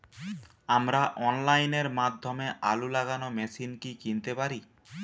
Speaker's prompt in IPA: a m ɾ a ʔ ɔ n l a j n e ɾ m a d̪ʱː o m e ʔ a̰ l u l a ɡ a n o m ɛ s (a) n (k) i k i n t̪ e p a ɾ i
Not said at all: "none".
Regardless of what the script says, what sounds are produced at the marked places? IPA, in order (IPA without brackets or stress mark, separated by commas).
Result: i, k